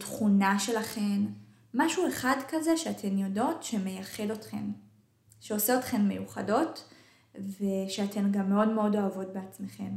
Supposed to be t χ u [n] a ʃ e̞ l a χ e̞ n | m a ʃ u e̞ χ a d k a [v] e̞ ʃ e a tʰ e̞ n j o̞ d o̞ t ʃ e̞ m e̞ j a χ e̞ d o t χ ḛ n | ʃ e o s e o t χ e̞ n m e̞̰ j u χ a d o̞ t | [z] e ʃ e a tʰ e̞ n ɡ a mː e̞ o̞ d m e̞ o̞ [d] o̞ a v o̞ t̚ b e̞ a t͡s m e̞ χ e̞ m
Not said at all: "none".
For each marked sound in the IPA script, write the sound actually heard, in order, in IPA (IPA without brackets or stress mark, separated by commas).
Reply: n, z, v, d